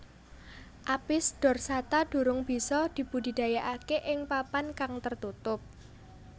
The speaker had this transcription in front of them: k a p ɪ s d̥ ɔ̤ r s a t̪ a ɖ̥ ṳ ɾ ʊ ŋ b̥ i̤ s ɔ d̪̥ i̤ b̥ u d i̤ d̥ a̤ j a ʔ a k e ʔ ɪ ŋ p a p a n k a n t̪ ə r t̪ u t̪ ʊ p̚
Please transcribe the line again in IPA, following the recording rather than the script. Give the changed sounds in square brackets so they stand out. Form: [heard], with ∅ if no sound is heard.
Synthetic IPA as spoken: [ʔ] a p ɪ s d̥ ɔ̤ r s a t̪ a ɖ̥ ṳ ɾ ʊ ŋ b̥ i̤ s ɔ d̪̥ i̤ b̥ u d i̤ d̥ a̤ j a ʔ a k e ʔ ɪ ŋ p a p a n k a [ŋ] t̪ ə r t̪ u t̪ ʊ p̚